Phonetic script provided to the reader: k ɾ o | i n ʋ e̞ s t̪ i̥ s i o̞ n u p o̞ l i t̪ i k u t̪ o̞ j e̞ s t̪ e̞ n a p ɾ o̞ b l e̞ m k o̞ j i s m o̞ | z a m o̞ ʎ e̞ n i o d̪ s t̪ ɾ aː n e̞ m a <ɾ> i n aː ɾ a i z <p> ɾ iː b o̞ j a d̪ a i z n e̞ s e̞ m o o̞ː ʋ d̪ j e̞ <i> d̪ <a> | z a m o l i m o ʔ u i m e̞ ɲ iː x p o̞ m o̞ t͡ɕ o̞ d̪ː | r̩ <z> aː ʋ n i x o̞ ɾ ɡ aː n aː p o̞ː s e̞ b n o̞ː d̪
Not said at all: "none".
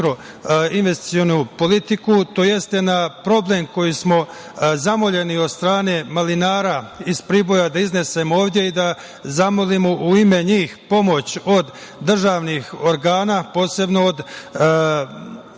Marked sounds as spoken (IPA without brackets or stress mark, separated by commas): l, p, i, a, ʒ